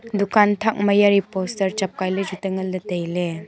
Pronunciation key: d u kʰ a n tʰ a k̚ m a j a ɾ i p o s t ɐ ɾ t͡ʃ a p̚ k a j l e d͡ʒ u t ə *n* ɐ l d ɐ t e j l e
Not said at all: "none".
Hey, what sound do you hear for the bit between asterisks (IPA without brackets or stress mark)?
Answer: ŋ